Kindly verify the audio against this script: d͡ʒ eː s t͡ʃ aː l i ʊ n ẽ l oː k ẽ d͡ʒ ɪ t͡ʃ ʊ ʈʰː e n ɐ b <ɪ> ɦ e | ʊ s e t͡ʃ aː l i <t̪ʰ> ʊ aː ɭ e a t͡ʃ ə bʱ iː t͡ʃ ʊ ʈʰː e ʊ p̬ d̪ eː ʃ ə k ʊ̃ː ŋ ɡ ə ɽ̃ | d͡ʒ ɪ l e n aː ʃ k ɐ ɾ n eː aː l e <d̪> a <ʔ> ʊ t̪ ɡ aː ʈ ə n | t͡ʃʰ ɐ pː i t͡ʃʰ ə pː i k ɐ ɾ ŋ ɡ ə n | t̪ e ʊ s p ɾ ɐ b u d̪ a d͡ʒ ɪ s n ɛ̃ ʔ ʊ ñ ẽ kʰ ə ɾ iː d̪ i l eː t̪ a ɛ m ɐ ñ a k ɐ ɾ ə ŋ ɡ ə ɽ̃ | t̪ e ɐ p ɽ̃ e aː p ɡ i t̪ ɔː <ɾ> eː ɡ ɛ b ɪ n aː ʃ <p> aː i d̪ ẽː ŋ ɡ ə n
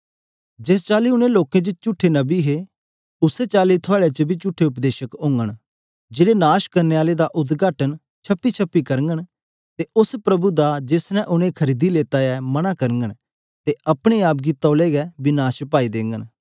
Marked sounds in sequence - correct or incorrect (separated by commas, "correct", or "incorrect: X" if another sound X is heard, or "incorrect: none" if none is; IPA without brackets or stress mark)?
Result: incorrect: i, correct, correct, correct, incorrect: l, correct